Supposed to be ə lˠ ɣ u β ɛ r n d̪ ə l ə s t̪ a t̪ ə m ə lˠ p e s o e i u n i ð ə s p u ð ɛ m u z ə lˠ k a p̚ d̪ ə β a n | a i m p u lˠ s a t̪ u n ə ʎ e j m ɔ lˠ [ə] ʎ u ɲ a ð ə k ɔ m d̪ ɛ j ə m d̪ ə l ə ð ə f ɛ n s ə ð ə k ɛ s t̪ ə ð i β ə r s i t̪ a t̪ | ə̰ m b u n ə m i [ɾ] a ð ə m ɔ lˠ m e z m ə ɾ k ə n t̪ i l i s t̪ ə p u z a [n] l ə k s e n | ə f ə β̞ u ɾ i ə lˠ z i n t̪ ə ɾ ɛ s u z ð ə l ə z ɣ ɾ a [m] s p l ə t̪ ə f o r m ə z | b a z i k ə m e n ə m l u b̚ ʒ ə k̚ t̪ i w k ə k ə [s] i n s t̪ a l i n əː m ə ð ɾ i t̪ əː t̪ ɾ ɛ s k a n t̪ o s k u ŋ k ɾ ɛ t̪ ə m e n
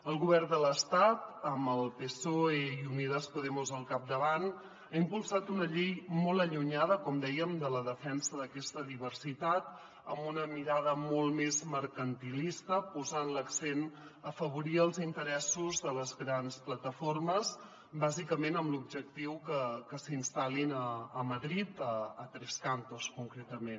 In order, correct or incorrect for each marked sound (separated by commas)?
correct, correct, correct, incorrect, correct